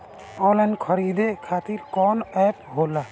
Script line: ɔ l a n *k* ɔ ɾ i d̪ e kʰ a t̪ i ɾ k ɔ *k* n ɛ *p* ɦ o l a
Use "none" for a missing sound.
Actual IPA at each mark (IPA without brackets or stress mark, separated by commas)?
kʰ, none, p